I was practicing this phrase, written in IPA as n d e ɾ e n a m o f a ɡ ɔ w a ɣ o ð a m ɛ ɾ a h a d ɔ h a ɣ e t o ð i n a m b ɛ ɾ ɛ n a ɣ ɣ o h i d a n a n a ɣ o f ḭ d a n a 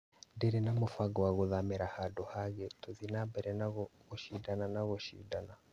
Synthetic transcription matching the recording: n d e ɾ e n a m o f a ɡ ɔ w a ɣ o ð a m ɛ ɾ a h a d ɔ h a ɣ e t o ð i n a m b ɛ ɾ ɛ n a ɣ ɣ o ʃ i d a n a n a ɣ o ʃ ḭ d a n a